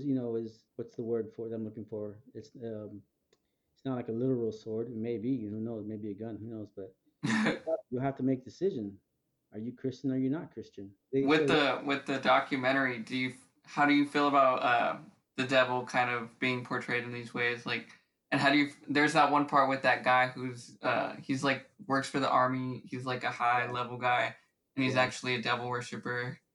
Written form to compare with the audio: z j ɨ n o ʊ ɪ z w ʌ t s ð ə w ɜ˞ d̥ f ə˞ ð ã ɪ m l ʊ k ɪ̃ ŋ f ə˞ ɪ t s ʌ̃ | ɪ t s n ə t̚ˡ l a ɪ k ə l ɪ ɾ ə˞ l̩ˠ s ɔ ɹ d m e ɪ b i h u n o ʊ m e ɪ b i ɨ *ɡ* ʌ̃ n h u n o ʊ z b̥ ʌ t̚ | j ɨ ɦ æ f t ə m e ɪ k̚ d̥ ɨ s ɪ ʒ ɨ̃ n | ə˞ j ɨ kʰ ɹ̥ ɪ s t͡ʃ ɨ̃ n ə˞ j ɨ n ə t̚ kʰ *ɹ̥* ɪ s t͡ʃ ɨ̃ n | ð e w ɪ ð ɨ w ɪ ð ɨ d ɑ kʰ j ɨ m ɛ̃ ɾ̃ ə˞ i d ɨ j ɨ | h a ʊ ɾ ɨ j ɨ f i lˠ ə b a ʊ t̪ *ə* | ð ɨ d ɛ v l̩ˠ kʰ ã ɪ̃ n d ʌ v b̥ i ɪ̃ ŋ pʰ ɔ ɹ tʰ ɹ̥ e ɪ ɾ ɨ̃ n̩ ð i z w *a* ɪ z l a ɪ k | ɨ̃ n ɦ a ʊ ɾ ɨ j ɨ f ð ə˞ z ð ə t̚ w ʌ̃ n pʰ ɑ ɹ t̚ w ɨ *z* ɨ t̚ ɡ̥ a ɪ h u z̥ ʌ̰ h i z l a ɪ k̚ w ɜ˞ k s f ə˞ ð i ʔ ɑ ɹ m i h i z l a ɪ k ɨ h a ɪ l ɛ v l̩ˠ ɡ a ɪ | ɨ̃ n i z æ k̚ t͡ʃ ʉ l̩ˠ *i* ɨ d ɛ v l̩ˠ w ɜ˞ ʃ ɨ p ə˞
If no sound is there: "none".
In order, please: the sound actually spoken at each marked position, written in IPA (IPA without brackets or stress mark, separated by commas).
ɡ, ɹ̥, ʌ, e, ð, i